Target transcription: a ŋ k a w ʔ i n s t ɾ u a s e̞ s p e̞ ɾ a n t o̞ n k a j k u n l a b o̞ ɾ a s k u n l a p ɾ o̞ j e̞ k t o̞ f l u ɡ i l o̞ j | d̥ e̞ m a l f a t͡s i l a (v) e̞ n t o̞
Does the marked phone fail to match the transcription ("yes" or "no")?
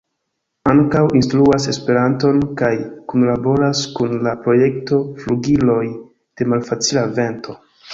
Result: no